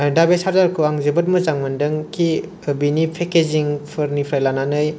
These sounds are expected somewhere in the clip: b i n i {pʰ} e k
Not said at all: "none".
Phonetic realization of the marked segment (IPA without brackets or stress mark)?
pʰ